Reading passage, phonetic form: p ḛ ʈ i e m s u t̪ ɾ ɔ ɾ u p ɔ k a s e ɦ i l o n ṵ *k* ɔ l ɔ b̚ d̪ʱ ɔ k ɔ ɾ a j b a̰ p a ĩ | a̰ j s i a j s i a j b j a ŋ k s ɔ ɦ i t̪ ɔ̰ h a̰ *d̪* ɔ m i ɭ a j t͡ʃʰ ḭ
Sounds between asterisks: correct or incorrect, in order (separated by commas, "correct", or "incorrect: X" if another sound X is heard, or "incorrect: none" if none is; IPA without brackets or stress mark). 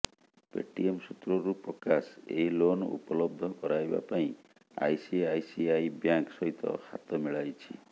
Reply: incorrect: p, incorrect: t̪